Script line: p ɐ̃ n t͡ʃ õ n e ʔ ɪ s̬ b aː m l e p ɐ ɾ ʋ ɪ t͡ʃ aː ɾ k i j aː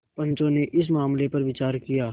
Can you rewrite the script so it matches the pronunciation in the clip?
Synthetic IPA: p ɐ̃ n t͡ʃ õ n e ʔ ɪ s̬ m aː m l e p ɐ ɾ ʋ ɪ t͡ʃ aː ɾ k i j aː